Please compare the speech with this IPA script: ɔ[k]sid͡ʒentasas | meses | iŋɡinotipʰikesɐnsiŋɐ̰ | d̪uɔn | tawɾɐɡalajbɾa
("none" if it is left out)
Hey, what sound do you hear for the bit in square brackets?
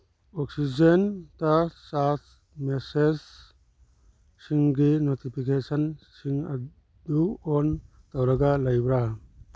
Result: k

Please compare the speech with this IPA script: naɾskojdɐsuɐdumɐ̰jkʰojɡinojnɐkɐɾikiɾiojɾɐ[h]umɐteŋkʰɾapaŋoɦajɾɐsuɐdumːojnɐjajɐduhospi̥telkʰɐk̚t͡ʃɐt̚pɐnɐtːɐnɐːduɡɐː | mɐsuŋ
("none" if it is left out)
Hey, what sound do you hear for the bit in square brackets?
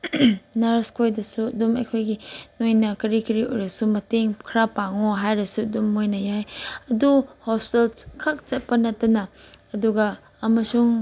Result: s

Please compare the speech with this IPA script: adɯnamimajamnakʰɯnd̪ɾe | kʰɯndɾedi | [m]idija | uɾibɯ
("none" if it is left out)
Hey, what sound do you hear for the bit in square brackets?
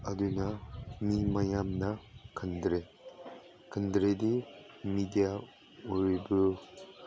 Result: m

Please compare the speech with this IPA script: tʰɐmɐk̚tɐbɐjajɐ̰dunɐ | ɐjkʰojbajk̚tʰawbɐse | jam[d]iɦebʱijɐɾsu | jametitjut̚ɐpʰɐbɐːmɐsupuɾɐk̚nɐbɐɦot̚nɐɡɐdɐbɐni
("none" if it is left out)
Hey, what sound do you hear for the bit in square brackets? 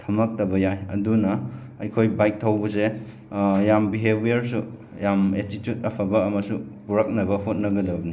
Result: b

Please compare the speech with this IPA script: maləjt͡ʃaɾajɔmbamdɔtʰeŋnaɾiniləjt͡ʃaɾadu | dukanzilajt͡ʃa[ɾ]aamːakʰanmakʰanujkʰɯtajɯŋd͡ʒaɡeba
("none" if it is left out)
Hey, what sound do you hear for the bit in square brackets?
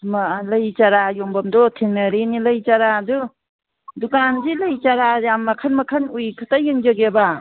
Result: ɾ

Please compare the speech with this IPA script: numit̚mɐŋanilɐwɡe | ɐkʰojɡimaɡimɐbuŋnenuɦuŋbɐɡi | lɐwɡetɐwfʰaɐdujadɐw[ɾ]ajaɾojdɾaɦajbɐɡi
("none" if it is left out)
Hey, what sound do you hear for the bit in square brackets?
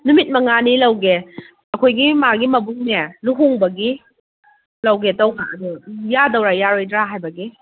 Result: ɾ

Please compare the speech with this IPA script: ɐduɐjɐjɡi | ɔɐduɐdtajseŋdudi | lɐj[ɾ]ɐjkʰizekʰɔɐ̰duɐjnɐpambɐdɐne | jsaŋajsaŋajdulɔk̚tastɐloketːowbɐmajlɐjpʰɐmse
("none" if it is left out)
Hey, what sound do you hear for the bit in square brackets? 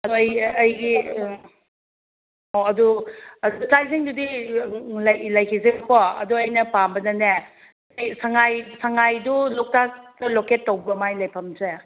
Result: l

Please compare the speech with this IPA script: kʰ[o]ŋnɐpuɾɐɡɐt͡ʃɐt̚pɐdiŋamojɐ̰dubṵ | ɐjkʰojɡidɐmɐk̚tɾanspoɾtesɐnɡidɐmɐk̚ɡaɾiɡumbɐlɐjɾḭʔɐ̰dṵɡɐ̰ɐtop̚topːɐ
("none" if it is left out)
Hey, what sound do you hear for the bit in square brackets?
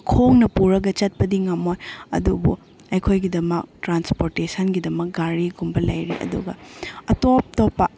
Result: o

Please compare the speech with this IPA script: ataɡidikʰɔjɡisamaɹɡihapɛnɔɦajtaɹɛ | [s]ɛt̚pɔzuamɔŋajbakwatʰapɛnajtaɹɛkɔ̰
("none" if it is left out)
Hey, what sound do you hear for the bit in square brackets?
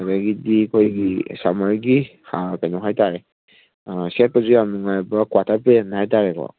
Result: s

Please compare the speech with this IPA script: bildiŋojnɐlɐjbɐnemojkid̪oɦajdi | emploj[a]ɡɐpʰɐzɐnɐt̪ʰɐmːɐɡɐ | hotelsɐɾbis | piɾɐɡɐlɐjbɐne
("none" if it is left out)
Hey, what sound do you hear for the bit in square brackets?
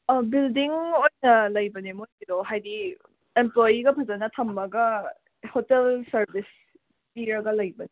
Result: i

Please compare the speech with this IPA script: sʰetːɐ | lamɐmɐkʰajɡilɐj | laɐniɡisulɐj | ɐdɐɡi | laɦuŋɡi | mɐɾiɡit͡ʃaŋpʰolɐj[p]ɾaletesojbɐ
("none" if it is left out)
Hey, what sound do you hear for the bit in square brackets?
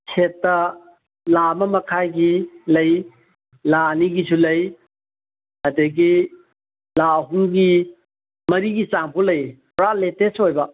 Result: p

